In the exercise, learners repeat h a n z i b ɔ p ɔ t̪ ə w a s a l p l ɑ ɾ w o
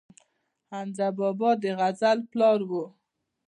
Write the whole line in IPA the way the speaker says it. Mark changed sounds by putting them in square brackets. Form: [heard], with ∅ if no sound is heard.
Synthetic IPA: h a n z [a] b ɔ [b] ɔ [d̪] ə [ɣ] a [z] a l p l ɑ ɾ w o

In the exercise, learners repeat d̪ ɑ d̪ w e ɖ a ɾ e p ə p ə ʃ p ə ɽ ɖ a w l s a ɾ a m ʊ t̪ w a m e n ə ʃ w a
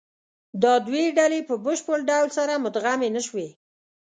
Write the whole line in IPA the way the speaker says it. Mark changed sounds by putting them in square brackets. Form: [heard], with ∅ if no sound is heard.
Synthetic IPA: d̪ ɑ d̪ w e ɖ a [l] e p ə [b] ə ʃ p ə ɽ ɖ a w l s a ɾ a m ʊ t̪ [ɣ] a m e n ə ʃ w [e]

